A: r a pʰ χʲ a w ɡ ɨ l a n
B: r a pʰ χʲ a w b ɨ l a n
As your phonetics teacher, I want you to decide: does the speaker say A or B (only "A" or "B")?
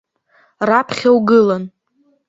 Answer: A